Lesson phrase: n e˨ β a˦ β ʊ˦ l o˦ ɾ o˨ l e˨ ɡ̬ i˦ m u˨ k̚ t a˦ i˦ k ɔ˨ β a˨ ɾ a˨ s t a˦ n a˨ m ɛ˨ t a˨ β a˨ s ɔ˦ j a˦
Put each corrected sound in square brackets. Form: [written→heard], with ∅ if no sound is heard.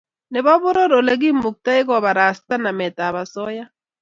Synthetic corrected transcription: n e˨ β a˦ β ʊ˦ [l→ɾ] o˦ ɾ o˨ l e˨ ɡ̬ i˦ m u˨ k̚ t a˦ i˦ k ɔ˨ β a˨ ɾ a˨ s t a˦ n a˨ m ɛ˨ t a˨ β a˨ s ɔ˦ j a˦